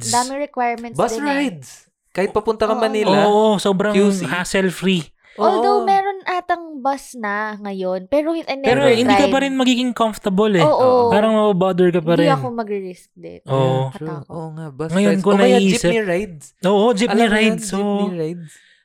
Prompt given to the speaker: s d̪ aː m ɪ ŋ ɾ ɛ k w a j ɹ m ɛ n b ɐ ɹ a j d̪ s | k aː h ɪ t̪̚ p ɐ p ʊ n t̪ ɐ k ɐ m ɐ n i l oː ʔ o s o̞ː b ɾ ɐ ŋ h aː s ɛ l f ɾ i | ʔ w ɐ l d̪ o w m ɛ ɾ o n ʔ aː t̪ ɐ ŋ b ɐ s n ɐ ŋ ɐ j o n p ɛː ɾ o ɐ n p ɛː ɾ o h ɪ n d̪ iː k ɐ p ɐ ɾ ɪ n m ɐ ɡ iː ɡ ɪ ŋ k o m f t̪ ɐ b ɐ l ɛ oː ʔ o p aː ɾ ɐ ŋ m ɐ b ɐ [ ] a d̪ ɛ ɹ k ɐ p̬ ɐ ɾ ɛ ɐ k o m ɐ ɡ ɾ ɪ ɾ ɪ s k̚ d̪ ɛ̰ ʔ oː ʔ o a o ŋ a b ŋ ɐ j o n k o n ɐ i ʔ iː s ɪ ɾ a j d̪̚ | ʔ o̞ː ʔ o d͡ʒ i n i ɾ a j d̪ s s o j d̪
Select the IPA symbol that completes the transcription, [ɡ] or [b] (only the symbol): b